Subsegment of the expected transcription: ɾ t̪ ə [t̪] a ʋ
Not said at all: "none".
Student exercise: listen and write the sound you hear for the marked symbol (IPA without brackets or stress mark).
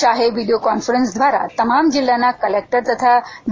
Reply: t̪ʰ